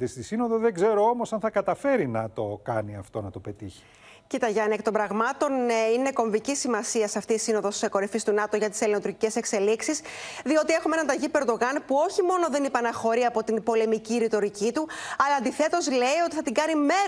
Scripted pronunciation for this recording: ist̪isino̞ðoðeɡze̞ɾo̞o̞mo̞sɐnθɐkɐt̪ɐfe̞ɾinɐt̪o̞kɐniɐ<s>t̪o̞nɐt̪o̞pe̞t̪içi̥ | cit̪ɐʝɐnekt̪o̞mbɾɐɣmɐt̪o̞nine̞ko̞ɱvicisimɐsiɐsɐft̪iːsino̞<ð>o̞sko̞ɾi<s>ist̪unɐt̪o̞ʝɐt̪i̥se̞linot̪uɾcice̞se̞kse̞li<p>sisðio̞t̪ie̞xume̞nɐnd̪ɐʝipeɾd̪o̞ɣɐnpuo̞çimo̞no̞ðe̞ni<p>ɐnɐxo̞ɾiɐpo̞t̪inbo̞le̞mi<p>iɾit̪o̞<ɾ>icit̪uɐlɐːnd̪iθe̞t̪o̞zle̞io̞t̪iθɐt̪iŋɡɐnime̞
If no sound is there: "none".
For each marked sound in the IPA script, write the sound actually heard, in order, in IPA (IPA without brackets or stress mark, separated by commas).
f, ð, f, k, p, c, ɾ